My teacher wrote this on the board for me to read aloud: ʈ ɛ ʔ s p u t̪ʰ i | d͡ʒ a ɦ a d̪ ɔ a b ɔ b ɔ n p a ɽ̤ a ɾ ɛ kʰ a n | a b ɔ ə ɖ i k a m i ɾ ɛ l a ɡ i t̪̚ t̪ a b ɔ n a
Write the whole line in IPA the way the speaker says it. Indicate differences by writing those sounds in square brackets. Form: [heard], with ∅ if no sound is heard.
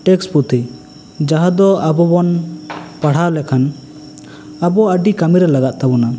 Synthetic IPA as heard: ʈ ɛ [k] s p u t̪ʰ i | d͡ʒ a ɦ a d̪ ɔ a b ɔ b ɔ n p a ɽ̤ a [l] ɛ kʰ a n | a b ɔ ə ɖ i k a m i ɾ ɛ l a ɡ [a] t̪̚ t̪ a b ɔ n a